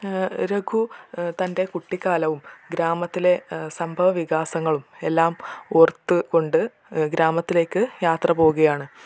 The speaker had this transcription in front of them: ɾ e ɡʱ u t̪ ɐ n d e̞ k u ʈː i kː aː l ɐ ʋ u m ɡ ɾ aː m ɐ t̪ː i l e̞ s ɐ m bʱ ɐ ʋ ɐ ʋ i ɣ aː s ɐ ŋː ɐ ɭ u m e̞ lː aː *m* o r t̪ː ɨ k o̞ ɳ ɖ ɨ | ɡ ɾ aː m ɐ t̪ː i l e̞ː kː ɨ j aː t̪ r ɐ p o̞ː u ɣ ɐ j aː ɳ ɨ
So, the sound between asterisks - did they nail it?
yes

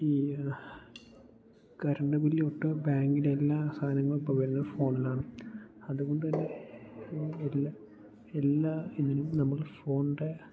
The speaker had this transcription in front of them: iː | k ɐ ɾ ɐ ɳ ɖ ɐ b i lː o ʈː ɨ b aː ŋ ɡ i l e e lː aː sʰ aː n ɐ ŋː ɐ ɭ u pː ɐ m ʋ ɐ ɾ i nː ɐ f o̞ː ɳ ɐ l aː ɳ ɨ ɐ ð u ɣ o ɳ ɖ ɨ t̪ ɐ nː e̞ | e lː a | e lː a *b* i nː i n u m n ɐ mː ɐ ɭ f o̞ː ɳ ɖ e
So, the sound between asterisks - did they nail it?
no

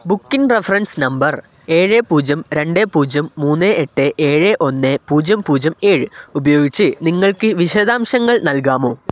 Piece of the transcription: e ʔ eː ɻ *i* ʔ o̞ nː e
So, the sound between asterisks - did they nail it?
no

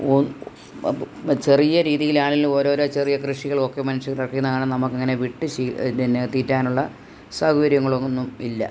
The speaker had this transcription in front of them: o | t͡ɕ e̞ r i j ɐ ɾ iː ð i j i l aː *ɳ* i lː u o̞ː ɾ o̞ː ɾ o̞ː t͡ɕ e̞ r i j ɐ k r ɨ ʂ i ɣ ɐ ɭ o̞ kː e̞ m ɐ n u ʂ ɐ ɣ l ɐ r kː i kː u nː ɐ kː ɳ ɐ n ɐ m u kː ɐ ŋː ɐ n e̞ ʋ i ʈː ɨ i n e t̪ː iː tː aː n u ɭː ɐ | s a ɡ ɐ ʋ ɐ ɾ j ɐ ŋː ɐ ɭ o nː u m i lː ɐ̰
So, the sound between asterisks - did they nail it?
yes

